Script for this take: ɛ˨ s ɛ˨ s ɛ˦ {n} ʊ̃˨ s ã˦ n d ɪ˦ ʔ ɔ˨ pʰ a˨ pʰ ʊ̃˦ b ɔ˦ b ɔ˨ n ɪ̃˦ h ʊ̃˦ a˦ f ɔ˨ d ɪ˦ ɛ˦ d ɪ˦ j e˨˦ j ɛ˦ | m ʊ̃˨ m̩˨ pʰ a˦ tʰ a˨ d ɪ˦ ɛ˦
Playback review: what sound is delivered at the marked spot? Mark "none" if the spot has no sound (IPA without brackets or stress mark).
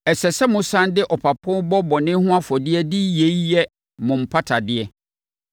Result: m